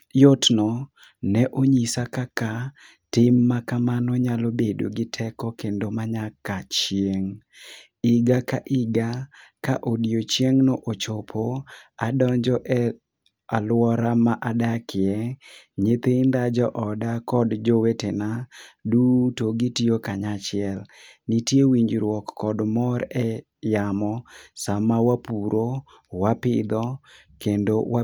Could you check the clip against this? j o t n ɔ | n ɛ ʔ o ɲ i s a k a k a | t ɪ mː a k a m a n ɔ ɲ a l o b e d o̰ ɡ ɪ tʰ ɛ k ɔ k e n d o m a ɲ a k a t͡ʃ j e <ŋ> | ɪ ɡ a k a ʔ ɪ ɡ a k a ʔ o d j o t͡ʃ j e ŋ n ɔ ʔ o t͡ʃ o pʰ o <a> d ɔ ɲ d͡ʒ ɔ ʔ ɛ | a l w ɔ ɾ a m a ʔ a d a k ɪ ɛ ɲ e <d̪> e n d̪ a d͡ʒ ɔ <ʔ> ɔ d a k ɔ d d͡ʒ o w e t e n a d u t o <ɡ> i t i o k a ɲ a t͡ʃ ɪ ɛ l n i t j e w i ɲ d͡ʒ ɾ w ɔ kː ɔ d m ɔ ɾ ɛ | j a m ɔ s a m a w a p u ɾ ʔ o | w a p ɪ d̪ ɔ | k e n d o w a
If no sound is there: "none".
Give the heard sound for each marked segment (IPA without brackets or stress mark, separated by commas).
ŋ, a, t̪, ʔ, ɡ